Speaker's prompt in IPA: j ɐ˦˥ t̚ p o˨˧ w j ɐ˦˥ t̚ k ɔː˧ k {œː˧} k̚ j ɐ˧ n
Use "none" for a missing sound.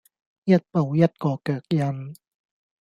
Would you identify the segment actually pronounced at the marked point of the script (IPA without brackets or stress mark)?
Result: œː˨˩